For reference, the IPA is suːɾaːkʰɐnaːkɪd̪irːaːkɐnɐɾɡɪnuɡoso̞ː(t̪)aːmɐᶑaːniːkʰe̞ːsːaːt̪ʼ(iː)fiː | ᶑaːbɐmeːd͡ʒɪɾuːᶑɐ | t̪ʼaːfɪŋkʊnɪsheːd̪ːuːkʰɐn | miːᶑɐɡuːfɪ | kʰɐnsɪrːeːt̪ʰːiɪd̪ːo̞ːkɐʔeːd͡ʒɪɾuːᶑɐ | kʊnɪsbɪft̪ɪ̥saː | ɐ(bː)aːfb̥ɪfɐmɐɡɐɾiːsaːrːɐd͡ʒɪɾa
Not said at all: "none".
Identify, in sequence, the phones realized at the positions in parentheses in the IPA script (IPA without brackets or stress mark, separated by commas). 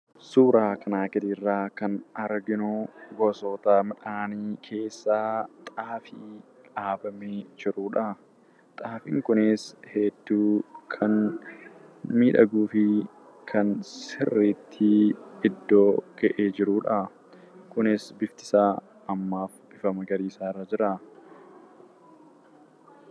t̪, aː, mː